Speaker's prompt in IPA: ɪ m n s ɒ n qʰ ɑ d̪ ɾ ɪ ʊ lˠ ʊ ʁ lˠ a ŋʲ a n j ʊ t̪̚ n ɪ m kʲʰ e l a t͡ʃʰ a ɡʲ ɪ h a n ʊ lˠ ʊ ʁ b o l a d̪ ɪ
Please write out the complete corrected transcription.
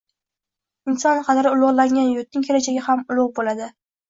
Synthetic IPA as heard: ɪ n s ɒ n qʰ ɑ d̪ ɾ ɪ ʊ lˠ ʊ ʁ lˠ a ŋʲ a n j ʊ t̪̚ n ɪ ŋ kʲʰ e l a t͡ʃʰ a ɡʲ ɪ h a m ʊ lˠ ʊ ʁ b o l a d̪ ɪ